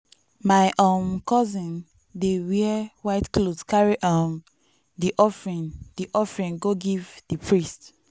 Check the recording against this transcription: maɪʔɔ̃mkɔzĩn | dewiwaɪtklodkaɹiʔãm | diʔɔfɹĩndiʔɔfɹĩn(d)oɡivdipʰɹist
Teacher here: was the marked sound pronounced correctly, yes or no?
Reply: no